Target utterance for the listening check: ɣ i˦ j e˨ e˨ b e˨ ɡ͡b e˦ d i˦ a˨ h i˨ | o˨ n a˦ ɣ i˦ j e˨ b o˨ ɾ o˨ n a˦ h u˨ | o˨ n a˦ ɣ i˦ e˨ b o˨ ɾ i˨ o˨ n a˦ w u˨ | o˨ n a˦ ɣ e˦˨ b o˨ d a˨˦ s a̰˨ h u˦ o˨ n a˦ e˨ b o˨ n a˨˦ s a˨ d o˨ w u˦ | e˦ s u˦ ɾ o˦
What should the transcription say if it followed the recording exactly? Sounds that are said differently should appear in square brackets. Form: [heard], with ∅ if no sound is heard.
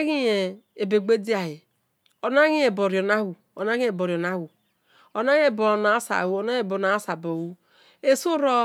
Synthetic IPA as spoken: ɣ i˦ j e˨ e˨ b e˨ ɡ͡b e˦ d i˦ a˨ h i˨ | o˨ n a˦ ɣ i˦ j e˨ b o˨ ɾ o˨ n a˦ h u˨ | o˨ n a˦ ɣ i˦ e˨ b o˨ ɾ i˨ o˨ n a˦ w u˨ | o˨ n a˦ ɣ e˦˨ b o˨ [n] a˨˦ s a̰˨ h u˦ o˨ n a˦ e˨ b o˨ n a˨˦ s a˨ [b] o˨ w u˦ | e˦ s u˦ ɾ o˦